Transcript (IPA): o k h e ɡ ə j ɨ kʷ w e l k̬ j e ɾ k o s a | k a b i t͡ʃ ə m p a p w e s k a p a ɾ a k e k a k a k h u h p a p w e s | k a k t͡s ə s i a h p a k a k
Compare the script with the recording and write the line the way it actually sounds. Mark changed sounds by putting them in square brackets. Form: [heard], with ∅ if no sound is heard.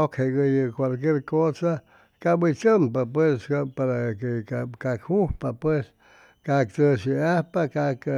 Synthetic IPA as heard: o k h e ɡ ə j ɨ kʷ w [a] l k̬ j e ɾ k o s a | k a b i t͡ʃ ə m p a p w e s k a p a ɾ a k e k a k a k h u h p a p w e s | k a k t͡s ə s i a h p a k a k